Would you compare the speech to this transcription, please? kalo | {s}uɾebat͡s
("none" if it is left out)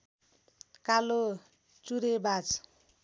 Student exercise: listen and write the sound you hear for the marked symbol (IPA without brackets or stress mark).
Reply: t͡s